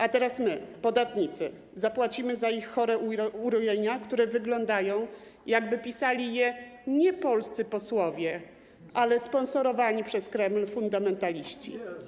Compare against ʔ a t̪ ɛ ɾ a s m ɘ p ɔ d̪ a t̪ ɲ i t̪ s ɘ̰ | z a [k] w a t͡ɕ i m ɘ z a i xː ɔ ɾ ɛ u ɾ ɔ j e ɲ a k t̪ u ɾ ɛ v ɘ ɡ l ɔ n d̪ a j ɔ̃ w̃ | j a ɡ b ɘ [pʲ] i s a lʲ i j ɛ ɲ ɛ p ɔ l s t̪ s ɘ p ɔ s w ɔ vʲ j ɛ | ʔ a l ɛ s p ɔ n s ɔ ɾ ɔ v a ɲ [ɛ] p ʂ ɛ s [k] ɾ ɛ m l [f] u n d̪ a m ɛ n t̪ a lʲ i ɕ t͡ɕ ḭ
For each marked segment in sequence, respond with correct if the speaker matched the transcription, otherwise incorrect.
incorrect: p, correct, incorrect: i, correct, correct

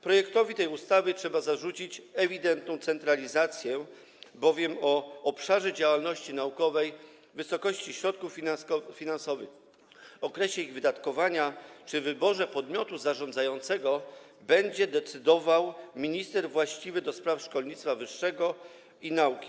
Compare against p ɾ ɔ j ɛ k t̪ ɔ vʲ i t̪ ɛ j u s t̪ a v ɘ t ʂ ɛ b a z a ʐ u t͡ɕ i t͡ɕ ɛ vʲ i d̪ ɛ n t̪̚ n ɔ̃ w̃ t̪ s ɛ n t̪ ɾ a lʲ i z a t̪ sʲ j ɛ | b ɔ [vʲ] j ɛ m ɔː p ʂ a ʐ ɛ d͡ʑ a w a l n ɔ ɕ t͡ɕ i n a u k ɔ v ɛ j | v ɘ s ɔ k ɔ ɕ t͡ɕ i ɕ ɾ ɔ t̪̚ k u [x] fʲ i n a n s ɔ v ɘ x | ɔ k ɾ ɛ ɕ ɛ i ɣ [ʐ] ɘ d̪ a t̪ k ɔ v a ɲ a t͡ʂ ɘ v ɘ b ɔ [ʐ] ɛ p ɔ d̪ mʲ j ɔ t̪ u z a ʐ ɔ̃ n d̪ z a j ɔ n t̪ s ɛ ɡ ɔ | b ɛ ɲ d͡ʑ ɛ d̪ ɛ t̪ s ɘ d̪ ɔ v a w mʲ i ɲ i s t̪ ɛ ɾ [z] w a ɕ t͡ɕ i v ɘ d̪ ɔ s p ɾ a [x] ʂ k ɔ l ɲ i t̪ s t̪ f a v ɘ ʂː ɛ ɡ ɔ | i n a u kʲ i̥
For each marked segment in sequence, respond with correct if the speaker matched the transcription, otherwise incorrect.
correct, incorrect: f, incorrect: v, correct, incorrect: v, incorrect: f

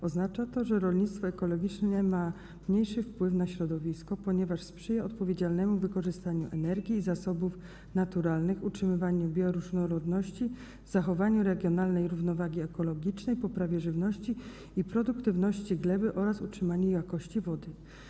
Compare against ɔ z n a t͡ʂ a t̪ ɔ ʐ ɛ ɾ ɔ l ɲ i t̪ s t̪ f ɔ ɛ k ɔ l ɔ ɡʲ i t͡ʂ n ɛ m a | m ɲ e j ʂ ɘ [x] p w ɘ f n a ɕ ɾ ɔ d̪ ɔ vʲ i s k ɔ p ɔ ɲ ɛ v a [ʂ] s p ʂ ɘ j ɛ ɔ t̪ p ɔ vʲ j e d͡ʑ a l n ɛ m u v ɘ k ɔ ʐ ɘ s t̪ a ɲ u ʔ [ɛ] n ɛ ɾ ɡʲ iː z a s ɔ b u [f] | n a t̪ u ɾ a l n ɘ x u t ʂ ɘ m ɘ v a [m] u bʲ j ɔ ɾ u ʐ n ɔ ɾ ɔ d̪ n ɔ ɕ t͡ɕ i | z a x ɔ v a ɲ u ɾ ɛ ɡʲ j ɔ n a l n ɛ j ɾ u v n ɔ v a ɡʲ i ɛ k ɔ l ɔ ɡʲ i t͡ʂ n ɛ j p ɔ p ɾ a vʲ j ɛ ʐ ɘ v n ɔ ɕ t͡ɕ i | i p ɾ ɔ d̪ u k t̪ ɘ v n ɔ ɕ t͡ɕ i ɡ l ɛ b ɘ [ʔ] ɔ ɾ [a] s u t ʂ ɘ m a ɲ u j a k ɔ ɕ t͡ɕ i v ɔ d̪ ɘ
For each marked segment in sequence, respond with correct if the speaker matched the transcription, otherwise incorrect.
incorrect: f, correct, correct, correct, incorrect: ɲ, correct, correct

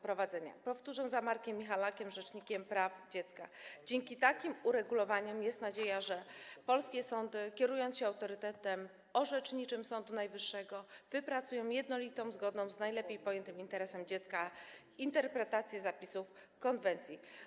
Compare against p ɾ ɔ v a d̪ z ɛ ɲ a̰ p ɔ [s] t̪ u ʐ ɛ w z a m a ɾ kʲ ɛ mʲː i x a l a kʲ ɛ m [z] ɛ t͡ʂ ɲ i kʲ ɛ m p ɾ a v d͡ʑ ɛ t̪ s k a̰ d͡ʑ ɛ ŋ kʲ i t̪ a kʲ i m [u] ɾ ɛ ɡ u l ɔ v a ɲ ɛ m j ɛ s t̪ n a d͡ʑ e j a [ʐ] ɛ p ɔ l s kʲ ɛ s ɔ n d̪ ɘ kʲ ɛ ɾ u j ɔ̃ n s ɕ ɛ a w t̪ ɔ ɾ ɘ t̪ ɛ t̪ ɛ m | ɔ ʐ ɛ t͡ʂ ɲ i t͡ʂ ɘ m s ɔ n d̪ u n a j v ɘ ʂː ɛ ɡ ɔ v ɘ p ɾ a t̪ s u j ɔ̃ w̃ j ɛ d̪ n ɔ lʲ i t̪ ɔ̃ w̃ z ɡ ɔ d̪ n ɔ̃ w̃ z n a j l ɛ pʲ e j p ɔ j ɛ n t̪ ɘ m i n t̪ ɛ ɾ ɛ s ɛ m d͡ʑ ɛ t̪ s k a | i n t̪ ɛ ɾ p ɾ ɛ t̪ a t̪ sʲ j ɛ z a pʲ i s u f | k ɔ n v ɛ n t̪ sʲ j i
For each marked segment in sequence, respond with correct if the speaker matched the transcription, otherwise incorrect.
incorrect: f, incorrect: ʐ, correct, correct

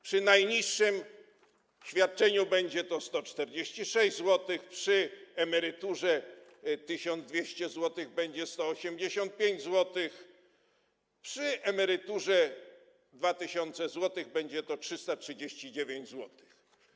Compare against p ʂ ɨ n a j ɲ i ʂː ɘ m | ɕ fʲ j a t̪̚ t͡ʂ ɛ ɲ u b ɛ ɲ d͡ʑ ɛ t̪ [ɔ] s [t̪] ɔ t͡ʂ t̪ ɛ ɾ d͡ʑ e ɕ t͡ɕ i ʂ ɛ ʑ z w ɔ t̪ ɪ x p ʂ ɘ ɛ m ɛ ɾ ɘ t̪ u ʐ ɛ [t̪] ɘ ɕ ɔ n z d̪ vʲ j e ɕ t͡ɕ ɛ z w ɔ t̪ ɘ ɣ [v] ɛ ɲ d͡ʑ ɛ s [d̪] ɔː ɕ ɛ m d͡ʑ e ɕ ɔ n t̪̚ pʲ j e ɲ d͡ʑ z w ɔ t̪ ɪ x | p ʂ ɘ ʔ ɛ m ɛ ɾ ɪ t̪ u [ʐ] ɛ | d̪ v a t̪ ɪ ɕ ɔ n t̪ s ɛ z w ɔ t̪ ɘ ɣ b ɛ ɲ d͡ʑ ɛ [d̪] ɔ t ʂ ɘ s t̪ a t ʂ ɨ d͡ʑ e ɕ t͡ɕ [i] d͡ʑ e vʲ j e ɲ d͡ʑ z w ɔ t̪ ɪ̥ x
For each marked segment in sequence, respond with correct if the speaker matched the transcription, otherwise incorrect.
correct, correct, correct, incorrect: b, incorrect: t̪, correct, incorrect: t̪, correct

